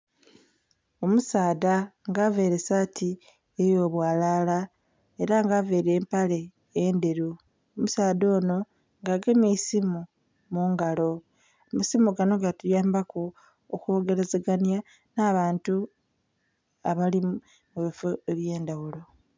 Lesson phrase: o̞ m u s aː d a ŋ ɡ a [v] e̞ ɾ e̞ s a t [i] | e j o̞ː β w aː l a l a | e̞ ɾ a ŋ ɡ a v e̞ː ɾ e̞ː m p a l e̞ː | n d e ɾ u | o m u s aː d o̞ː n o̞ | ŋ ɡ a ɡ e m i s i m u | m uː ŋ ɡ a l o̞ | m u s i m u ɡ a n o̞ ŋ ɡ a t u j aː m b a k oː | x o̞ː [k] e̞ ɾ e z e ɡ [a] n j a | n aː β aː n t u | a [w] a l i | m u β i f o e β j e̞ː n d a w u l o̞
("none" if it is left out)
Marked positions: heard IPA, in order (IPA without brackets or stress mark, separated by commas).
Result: v, i, ɡ, a, β